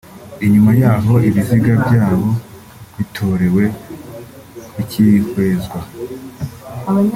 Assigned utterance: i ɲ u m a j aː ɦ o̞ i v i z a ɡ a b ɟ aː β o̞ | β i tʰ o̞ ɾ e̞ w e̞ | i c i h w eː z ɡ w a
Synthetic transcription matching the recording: i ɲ u m a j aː ɦ o̞ i β i z i ɡ a b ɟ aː β o̞ | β i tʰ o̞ ɾ e̞ w e̞ | i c i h w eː z ɡ w a